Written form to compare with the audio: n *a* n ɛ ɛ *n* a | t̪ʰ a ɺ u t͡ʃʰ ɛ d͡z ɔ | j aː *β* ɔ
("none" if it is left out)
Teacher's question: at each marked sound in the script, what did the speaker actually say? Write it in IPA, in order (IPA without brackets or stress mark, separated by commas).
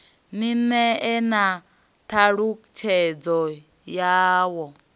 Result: i, n, w